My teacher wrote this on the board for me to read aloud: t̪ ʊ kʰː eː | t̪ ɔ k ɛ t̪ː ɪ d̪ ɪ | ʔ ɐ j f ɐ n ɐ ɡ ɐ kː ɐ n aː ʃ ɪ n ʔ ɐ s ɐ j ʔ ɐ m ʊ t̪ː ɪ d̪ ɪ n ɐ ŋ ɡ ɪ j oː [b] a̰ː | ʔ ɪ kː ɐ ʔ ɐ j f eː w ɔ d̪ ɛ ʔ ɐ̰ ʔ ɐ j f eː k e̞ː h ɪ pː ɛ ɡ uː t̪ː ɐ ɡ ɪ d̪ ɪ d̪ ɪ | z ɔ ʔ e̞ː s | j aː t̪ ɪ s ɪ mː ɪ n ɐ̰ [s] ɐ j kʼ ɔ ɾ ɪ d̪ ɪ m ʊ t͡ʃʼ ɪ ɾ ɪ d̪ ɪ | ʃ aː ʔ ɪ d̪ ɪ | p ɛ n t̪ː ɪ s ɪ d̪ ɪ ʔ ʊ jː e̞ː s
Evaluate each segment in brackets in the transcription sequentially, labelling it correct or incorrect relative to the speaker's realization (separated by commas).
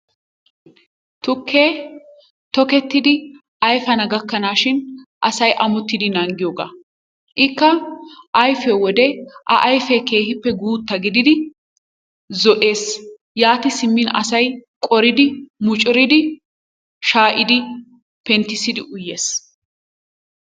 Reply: incorrect, correct